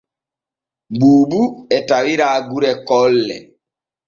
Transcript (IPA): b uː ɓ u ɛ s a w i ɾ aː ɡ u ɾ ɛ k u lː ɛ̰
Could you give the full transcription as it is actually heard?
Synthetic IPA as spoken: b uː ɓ u ɛ t a w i ɾ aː ɡ u ɾ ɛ k ɔ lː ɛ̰